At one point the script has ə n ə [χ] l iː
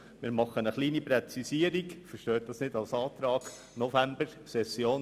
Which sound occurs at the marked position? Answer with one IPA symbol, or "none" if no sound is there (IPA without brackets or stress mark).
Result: χ